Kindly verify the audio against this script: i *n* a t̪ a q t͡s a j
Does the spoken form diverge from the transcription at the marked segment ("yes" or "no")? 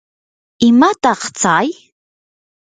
yes